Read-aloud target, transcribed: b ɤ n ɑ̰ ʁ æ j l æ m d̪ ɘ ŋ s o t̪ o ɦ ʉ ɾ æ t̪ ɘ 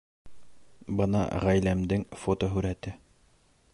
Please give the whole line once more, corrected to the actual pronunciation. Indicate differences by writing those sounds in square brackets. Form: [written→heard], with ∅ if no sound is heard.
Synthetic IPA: b ɤ n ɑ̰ ʁ æ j l æ m d̪ ɘ ŋ [s→f] o t̪ o ɦ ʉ ɾ æ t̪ ɘ